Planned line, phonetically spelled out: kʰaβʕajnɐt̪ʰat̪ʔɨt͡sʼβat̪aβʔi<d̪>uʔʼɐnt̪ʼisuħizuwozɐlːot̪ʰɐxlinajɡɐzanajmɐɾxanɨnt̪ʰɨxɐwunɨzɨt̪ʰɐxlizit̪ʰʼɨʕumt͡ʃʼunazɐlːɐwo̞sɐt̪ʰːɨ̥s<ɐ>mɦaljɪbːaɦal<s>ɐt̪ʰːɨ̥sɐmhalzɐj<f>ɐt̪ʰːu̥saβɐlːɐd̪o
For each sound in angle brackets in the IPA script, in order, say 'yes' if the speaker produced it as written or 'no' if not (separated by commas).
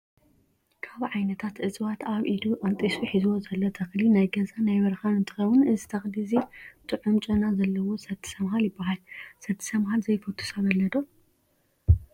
yes, yes, yes, yes